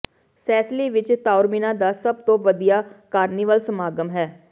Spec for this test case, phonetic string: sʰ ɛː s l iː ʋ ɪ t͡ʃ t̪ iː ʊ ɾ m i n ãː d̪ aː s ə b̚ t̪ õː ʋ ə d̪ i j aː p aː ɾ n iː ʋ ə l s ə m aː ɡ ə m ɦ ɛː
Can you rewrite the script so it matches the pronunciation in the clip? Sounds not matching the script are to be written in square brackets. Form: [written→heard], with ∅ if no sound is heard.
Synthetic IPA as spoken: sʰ ɛː s l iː ʋ ɪ t͡ʃ t̪ [iː→aː] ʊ ɾ m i n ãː d̪ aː s ə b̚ t̪ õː ʋ ə d̪ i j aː [p→k] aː ɾ n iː ʋ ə l s ə m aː ɡ ə m ɦ ɛː